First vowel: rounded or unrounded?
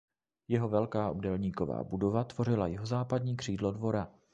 unrounded